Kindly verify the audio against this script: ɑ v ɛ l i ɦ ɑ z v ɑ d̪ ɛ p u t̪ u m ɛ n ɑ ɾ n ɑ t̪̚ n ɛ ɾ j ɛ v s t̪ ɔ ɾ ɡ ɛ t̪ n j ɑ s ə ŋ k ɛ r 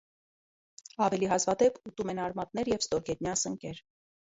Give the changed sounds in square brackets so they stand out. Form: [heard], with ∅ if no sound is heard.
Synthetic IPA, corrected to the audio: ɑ v ɛ l i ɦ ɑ z v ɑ d̪ ɛ p u t̪ u m ɛ n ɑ ɾ [m] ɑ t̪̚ n ɛ ɾ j ɛ v s t̪ ɔ ɾ ɡ ɛ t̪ n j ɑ s ə ŋ k ɛ [ɾ]